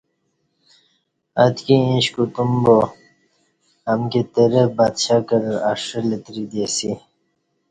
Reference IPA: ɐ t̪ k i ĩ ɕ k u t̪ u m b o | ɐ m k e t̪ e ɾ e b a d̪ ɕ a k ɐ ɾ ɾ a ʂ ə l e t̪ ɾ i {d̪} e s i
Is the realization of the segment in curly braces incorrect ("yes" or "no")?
no